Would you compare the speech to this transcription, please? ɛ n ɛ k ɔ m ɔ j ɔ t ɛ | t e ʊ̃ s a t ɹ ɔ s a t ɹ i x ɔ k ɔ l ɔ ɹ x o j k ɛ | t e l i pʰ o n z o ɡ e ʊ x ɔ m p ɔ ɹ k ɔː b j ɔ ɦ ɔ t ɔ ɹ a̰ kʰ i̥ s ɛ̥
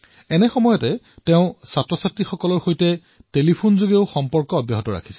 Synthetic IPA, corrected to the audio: ɛ n ɛ x ɔ m ɔ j ɔ t ɛ | t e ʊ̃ s a t ɹ ɔ s a t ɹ i x ɔ k ɔ l ɔ ɹ x o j t ɛ | t e l i pʰ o n z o ɡ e ʊ x ɔ m p ɔ ɹ k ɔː b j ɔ ɦ ɔ t ɔ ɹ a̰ kʰ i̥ s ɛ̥

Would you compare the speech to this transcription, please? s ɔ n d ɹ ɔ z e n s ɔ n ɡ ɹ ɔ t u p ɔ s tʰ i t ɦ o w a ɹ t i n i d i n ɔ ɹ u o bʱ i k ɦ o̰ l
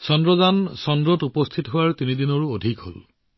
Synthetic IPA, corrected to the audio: s ɔ n d ɹ ɔ z a n s ɔ n d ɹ ɔ t u p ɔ s tʰ i t ɦ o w a ɹ t i n i d i n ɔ ɹ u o dʱ i k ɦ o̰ l

